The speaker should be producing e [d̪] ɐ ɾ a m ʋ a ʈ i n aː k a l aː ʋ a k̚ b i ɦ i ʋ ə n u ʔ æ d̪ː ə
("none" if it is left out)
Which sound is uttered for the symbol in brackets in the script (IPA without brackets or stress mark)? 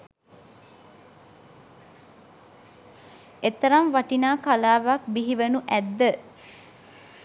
t̪